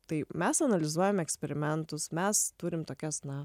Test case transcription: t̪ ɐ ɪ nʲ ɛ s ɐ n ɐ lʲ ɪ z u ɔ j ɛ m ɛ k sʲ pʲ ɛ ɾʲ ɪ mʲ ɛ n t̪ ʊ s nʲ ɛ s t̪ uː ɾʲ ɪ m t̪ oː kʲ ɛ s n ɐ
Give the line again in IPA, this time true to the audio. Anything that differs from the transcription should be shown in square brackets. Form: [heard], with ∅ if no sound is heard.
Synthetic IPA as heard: t̪ ɐ ɪ [mʲ] ɛ s ɐ n ɐ lʲ ɪ z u ɔ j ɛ m ɛ k sʲ pʲ ɛ ɾʲ ɪ mʲ ɛ n t̪ ʊ s [mʲ] ɛ s t̪ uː ɾʲ ɪ m t̪ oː kʲ ɛ s n ɐ